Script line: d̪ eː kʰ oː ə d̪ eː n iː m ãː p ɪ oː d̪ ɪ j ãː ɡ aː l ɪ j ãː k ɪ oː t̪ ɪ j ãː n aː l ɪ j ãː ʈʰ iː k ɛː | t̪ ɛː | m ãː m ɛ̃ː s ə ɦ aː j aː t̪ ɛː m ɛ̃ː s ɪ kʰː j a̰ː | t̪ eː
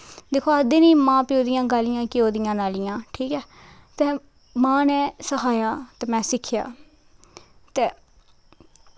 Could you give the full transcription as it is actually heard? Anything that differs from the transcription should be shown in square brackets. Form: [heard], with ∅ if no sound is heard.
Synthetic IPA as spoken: d̪ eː kʰ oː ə d̪ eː n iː m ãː p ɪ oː d̪ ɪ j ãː ɡ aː l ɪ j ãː k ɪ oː [d̪] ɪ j ãː n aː l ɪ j ãː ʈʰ iː k ɛː | t̪ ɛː | m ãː [n] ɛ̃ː s ə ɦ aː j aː t̪ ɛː m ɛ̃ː s ɪ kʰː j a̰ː | t̪ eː